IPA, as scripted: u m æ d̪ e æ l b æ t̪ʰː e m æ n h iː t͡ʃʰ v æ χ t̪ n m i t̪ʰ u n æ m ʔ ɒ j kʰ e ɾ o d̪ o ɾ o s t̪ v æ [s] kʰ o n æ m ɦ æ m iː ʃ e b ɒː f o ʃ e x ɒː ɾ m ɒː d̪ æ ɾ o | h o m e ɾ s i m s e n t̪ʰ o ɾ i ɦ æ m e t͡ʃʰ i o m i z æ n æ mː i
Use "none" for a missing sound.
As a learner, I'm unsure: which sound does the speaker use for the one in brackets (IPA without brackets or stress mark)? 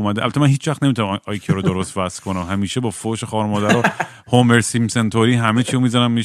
s